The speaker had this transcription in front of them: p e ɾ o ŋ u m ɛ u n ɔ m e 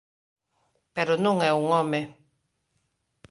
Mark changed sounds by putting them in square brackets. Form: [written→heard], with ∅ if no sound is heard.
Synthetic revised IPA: p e ɾ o [ŋ→n] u [m→ŋ] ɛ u [n→ŋ] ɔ m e